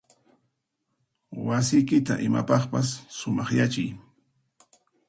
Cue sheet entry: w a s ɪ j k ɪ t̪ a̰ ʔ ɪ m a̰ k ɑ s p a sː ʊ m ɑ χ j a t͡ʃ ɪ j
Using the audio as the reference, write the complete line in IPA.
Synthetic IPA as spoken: w a s ɪ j k ɪ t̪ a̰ ʔ ɪ m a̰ p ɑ χ p a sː ʊ m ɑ χ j a t͡ʃ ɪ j

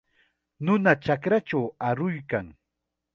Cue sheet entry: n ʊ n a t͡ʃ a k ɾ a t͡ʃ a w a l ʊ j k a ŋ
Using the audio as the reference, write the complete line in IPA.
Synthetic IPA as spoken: n ʊ n a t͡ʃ a k ɾ a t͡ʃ a w a ɾ ʊ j k a ŋ

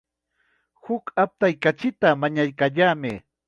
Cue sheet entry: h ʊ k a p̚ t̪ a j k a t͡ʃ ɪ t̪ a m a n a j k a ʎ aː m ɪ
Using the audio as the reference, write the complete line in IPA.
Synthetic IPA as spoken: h ʊ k a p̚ t̪ a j k a t͡ʃ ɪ t̪ a m a ɲ a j k a ʎ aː m ɪ

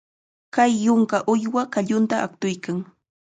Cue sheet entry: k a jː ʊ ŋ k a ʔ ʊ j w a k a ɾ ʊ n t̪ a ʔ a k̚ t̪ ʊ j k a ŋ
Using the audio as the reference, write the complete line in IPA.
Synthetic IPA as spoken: k a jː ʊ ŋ k a ʔ ʊ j w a k a ʎ ʊ n t̪ a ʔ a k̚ t̪ ʊ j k a ŋ

